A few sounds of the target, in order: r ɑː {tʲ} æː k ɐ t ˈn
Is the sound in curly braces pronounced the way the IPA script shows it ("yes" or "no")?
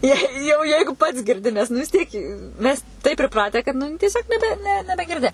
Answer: yes